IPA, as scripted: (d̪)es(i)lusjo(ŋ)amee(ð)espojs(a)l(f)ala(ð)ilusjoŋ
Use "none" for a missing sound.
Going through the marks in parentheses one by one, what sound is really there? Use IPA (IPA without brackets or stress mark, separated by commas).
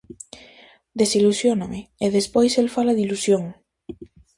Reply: d̪, i, n, ð, e, f, ð